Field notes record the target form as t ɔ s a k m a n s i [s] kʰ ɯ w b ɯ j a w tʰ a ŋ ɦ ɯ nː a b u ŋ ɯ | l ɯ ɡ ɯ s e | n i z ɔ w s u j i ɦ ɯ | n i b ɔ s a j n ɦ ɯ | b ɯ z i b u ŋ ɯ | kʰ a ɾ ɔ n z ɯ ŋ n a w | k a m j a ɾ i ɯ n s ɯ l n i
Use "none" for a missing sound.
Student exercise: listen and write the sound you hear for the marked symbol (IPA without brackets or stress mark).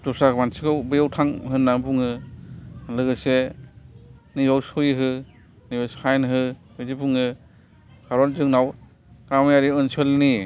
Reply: none